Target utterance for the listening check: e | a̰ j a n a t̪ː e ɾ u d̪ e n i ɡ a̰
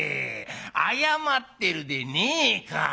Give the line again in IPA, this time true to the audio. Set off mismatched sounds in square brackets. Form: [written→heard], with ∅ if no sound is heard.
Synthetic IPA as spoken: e | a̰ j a [n→m] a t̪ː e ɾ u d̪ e n i [ɡ→k] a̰